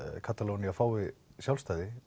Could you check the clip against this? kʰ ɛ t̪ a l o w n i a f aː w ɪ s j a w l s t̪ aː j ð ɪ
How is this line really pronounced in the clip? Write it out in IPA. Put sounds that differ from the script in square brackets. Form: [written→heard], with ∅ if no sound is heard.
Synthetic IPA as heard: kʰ [ɛ→a] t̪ a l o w n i a f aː w ɪ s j a w l s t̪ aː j ð ɪ